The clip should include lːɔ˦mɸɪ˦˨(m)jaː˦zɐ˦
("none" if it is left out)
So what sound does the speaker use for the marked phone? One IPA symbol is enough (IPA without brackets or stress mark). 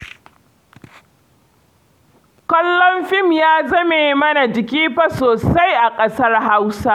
m